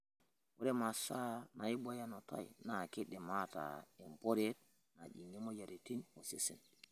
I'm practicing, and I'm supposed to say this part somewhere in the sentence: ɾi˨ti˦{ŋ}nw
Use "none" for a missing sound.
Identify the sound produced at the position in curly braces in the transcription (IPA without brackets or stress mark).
none